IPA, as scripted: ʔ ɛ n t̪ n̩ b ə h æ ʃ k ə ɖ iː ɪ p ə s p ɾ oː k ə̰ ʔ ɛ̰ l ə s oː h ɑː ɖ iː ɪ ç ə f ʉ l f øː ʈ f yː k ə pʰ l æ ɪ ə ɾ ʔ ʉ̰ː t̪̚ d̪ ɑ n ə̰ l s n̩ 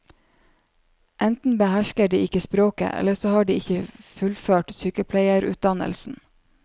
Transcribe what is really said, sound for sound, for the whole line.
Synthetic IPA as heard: ʔ ɛ n t̪ n̩ b ə h æ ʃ k ə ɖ iː ɪ k ə s p ɾ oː k ə̰ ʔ ɛ̰ l ə s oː h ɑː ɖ iː ɪ ç ə f ʉ l f øː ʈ s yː k ə pʰ l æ ɪ ə ɾ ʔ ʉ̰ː t̪̚ d̪ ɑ n ə̰ l s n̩